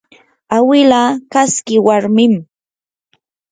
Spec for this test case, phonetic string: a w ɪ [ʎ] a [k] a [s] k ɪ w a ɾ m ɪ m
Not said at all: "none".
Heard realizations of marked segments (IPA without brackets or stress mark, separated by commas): l, k, s